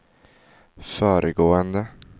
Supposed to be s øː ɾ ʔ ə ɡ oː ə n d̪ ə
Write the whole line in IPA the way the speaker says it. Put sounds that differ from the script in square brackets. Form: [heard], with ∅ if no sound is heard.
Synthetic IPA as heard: [f] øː ɾ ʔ ə ɡ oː ə n d̪ ə